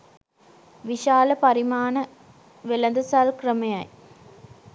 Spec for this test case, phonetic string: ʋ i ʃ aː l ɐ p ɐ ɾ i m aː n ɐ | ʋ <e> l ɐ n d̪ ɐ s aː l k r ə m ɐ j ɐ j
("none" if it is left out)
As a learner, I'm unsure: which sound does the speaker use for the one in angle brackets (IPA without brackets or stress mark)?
e